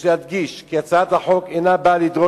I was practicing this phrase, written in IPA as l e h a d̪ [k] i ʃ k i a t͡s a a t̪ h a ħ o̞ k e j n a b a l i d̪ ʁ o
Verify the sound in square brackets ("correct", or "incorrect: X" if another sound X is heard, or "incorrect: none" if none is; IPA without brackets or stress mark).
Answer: incorrect: ɡ